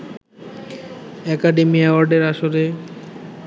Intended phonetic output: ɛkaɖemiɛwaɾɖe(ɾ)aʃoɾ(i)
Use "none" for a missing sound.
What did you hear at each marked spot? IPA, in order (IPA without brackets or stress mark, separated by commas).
ɾ, e